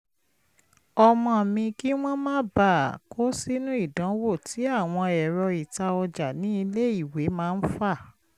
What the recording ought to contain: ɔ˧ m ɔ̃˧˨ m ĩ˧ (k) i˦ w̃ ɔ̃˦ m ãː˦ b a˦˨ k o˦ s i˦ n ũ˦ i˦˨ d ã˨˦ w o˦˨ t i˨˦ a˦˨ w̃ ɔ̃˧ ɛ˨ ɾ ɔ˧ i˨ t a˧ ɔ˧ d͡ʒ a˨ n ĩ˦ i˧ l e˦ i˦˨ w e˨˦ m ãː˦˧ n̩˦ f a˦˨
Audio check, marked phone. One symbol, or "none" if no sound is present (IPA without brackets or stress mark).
k